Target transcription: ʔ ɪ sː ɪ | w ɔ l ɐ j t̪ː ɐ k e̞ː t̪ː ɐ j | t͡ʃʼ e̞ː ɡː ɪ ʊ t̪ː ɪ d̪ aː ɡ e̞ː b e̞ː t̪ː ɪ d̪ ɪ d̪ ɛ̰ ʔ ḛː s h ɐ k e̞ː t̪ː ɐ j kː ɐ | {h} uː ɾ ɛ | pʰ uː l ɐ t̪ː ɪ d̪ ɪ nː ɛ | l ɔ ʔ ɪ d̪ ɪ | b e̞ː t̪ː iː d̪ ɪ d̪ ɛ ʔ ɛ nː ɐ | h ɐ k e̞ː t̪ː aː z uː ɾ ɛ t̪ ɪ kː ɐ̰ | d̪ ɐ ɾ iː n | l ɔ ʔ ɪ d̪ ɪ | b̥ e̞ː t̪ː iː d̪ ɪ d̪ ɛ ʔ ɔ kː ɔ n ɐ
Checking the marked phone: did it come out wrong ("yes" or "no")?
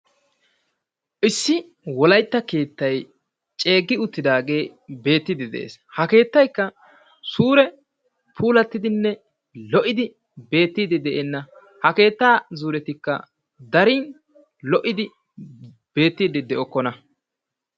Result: yes